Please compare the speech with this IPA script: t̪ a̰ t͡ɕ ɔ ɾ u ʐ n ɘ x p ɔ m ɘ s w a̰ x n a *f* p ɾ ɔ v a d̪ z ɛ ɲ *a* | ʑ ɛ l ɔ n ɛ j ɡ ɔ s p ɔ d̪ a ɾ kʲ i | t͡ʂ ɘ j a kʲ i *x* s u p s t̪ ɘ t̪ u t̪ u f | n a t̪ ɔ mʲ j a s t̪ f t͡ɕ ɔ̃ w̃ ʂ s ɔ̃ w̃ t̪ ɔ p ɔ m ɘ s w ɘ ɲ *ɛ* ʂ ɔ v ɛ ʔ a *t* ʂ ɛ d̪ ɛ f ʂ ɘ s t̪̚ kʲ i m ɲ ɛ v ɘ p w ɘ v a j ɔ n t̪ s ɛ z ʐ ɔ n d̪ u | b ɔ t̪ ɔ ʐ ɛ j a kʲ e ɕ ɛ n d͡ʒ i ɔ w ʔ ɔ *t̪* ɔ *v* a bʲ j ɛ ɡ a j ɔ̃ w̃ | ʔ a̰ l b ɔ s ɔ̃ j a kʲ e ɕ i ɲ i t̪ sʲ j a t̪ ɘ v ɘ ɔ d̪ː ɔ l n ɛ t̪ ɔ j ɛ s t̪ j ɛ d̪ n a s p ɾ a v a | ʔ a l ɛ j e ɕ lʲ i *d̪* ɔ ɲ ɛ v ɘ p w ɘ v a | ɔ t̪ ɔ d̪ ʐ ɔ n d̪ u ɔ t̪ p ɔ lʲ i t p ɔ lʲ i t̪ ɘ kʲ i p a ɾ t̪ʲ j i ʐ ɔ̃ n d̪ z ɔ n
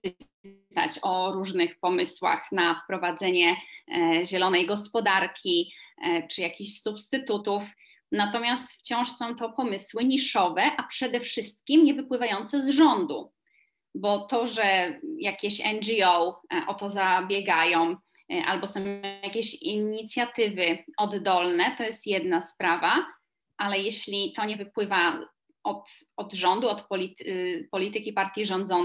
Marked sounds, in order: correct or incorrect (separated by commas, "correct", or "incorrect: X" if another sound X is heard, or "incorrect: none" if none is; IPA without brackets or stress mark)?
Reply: correct, incorrect: ɛ, incorrect: ɕ, incorrect: i, incorrect: p, correct, incorrect: z, incorrect: t̪